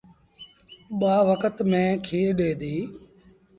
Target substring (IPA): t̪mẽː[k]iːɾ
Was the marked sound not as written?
yes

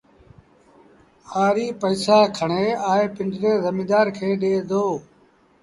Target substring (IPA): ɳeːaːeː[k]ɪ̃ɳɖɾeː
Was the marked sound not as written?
yes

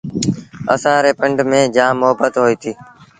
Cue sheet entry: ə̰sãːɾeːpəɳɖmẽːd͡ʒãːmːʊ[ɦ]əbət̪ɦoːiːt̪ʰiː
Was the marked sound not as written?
no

